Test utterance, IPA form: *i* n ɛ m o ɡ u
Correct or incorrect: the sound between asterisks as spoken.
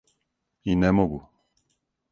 correct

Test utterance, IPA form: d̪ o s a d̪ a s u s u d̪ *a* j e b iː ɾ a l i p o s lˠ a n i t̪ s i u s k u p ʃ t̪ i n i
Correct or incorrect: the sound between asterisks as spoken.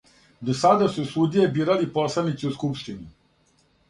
incorrect: i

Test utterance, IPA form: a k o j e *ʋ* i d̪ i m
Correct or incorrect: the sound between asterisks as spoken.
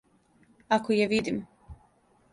correct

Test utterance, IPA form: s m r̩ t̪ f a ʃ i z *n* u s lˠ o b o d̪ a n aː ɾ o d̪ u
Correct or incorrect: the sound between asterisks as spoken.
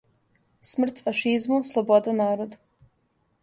incorrect: m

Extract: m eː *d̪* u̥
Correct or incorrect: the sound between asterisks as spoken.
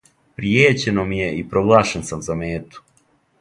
incorrect: t̪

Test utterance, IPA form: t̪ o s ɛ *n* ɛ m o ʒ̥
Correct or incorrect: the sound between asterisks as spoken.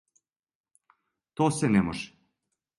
correct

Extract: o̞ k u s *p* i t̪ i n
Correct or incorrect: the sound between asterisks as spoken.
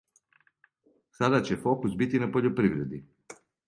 incorrect: b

